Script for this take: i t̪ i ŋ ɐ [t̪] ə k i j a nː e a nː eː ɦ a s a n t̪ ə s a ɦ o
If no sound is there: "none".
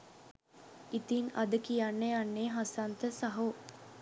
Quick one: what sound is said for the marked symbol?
d̪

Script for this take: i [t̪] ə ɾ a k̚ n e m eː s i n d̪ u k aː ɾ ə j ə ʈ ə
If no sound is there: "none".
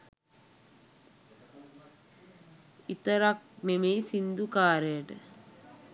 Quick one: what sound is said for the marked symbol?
t̪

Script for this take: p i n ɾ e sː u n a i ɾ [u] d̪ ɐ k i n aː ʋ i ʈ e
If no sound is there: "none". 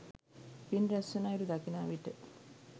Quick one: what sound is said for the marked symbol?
u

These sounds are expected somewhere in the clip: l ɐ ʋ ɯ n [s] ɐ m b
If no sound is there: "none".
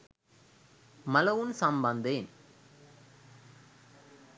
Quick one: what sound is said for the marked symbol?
s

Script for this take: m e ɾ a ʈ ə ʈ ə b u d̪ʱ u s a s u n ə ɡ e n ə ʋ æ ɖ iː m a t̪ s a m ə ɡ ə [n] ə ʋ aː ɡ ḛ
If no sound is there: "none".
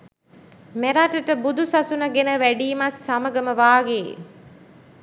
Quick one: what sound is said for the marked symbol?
m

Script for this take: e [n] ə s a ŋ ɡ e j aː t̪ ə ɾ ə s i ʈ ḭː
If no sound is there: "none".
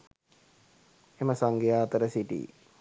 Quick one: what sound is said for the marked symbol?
m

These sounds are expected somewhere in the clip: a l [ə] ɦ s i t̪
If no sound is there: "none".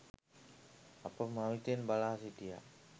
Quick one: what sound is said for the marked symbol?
a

